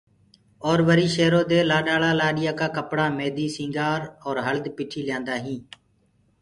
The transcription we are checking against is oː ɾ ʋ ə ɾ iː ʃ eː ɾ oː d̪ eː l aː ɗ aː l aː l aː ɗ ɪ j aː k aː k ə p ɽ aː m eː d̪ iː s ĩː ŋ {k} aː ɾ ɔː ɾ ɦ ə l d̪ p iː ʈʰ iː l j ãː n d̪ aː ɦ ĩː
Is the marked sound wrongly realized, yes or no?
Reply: yes